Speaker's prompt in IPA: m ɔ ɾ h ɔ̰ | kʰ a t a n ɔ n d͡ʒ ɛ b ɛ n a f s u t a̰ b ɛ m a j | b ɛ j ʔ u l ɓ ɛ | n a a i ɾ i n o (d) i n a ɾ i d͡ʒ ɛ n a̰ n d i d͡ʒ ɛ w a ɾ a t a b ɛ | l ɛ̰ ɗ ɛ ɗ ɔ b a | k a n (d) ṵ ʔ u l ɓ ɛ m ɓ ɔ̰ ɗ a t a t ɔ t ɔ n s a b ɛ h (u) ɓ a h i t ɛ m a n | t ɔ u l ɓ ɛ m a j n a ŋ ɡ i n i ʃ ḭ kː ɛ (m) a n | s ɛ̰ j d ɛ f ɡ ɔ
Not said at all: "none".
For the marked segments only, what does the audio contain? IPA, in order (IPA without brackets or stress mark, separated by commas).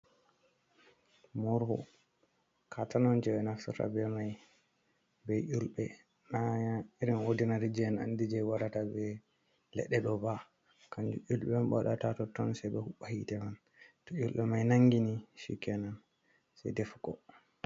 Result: d, d͡ʒ, u, n